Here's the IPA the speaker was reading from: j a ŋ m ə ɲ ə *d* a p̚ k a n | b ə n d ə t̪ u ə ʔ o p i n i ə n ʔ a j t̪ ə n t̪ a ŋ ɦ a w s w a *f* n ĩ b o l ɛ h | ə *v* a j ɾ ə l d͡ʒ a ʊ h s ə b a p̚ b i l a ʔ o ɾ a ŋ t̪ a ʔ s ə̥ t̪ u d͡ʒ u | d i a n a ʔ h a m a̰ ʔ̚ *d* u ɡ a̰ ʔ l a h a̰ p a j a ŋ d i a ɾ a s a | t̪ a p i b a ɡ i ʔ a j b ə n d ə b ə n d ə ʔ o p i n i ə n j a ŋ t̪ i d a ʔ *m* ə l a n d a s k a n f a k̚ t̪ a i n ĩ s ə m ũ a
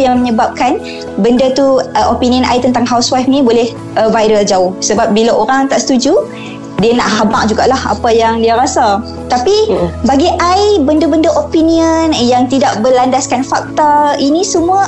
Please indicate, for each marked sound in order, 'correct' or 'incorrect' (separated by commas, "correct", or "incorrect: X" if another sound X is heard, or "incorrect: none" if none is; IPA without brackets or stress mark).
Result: incorrect: b, correct, correct, incorrect: d͡ʒ, incorrect: b